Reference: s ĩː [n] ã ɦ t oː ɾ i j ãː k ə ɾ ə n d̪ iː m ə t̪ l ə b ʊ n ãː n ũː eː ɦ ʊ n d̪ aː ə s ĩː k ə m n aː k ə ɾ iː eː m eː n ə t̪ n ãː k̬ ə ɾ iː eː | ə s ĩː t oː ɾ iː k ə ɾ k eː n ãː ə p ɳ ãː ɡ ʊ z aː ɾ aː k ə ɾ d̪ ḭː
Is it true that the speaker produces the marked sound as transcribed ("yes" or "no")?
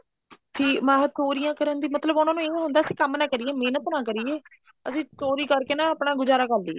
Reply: no